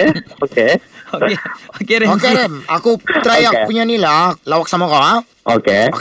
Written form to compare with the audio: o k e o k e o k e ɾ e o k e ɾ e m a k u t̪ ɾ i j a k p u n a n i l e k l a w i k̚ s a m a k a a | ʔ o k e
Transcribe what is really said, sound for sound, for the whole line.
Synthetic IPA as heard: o k e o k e o k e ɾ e o k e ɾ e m a k u t̪ ɾ a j a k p u ɲ a n i l a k l a w a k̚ s a m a k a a | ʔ o k e